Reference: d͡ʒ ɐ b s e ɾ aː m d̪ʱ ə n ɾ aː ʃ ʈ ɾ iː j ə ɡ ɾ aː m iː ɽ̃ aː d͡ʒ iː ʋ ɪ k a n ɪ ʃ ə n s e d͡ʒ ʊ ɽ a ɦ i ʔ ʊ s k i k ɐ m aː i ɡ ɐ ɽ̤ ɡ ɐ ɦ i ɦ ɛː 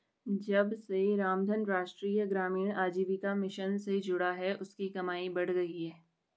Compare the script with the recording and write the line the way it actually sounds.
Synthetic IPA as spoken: d͡ʒ ɐ b s e ɾ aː m d̪ʱ ə n ɾ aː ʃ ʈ ɾ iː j ə ɡ ɾ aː m iː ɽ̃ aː d͡ʒ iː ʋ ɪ k a m ɪ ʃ ə n s e d͡ʒ ʊ ɽ a ɦ ɛ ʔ ʊ s k i k ɐ m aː i b ɐ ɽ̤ ɡ ɐ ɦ i ɦ ɛː